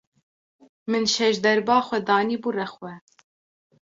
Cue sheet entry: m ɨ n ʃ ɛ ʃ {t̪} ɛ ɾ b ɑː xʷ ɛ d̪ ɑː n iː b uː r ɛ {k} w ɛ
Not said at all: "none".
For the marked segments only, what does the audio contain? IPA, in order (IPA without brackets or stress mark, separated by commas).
d̪, x